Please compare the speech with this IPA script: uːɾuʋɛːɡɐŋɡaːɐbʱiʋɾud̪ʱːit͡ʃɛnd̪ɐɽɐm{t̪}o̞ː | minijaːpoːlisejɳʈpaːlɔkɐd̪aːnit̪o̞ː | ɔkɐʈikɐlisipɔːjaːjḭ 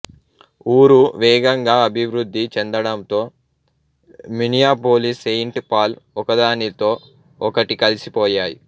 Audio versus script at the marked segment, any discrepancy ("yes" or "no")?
no